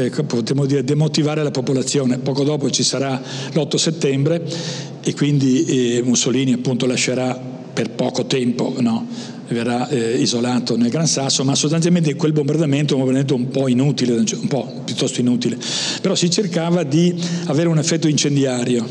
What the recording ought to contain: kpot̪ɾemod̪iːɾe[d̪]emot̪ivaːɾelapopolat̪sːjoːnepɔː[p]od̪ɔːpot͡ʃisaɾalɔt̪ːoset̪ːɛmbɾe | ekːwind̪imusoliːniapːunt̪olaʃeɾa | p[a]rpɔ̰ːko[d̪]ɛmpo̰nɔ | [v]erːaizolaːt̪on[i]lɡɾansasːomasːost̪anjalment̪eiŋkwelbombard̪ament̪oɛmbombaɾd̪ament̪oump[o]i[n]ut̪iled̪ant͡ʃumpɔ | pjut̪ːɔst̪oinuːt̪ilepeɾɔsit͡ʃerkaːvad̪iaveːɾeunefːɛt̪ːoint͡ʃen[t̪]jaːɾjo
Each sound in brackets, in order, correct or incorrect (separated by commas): correct, incorrect, incorrect, incorrect, correct, incorrect, incorrect, correct, incorrect